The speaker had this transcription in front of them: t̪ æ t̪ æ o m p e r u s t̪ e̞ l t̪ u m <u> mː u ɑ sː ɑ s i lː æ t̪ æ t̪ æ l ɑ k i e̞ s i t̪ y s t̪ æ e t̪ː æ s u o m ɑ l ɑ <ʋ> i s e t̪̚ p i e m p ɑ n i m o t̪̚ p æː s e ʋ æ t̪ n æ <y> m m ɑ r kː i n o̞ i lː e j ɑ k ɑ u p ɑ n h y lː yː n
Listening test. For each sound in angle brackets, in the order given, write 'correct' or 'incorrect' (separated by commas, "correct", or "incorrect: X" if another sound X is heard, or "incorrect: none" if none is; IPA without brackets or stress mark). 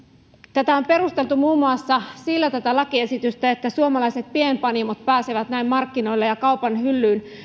incorrect: uː, incorrect: none, incorrect: i